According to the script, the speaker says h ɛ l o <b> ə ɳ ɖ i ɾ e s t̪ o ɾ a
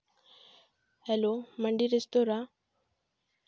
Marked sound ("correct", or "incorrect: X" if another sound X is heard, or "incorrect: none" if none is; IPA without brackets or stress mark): incorrect: m